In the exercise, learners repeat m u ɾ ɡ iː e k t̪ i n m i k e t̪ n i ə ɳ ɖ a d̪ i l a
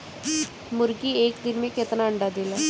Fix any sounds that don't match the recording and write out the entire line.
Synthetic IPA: m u ɾ ɡ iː e k d̪ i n m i k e t̪ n a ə ɳ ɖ a d̪ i l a

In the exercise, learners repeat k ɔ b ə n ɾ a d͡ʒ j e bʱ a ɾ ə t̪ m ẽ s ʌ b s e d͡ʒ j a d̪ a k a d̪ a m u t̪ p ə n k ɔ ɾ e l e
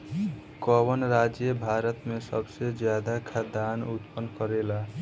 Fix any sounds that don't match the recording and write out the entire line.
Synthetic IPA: k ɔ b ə n ɾ a d͡ʒ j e bʱ a ɾ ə t̪ m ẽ s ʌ b s e d͡ʒ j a d̪ a kʰ a d̪ a n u t̪ p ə n k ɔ ɾ e l a

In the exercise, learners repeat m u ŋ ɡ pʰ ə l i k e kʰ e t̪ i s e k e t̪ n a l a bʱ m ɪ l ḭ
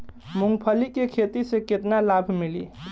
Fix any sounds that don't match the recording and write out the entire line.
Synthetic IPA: m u ŋ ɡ pʰ ə l i k e kʰ e t̪ i s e k e t̪ n a l a bʱ m i l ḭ

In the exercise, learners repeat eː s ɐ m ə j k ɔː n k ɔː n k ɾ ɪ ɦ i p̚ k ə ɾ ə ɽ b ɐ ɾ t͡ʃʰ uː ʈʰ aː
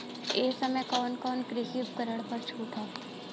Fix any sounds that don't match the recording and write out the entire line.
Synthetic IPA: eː s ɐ m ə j k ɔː n k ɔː n k ɾ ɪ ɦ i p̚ k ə ɾ ə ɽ p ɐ ɾ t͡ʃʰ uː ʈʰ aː

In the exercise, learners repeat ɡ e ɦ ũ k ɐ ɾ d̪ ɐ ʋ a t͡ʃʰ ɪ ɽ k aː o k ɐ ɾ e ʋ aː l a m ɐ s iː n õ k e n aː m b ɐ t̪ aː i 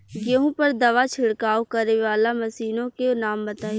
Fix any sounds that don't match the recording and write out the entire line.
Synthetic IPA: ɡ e ɦ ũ p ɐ ɾ d̪ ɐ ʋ a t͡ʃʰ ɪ ɽ k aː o k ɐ ɾ e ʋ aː l a m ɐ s iː n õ k e n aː m b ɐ t̪ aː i

